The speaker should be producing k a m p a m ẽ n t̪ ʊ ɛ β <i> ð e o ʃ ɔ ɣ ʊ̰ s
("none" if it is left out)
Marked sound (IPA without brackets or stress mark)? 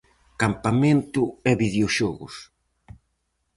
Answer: i